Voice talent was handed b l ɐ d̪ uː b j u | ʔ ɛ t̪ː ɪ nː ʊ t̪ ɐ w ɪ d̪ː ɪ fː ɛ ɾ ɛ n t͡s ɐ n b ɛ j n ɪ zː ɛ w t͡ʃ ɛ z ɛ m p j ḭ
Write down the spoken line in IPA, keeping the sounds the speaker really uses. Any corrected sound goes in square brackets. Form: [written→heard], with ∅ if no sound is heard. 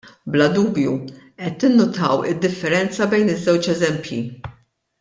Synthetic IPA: b l ɐ d̪ uː b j u | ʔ ɛ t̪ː ɪ nː ʊ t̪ ɐ w ɪ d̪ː ɪ fː ɛ ɾ ɛ n t͡s ɐ [n→∅] b ɛ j n ɪ zː ɛ w t͡ʃ ɛ z ɛ m p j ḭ